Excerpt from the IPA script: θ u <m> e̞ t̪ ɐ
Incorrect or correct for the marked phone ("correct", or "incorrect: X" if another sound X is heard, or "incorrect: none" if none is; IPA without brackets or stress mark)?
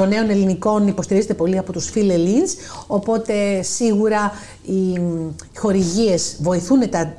incorrect: n